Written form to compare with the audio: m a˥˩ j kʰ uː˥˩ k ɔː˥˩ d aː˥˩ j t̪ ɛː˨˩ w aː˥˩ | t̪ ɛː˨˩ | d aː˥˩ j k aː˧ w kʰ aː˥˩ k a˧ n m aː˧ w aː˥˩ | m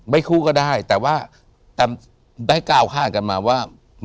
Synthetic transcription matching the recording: m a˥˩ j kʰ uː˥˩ k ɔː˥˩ d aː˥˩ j t̪ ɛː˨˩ w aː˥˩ | t̪ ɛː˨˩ | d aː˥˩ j k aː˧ w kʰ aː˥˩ k a˧ n m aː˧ w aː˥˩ | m